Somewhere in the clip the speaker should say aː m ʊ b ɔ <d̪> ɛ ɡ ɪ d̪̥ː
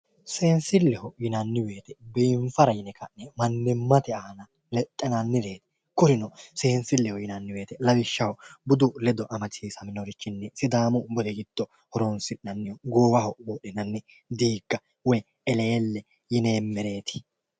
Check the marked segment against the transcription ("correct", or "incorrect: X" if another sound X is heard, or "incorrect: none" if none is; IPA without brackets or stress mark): correct